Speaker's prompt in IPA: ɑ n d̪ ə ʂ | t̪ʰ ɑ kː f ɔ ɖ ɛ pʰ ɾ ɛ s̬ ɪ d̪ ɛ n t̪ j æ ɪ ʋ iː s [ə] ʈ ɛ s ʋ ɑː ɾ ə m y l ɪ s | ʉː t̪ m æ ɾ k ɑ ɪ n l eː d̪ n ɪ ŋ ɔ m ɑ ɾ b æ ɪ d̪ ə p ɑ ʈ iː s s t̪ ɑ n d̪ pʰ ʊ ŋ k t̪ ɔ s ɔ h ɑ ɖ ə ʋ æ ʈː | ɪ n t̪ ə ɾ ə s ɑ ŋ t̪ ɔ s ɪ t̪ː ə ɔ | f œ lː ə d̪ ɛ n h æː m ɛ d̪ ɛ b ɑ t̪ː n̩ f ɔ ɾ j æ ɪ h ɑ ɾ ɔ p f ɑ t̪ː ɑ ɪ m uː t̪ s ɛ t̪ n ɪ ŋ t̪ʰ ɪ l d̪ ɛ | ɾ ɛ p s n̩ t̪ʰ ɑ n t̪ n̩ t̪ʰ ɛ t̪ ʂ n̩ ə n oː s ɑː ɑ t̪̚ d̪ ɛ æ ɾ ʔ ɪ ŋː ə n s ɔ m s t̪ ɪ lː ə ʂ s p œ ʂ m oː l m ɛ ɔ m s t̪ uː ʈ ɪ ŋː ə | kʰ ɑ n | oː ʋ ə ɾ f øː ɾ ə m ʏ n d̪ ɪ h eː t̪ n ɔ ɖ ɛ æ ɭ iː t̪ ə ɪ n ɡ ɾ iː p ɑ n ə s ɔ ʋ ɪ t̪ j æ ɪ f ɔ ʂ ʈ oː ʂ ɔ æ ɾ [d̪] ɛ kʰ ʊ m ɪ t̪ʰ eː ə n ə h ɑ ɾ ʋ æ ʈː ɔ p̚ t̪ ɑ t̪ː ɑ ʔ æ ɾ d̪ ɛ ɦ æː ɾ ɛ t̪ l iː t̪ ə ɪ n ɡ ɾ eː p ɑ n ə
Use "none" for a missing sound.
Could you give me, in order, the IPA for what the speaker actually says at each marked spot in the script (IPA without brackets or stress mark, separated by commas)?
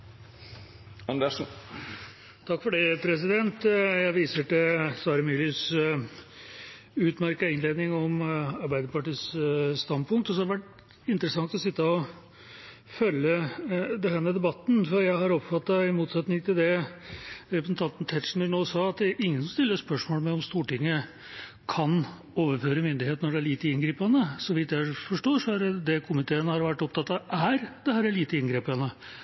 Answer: ə, d̪